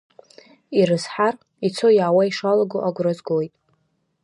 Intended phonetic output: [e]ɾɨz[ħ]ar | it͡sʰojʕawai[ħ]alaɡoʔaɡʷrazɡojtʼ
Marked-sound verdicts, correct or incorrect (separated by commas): incorrect, correct, incorrect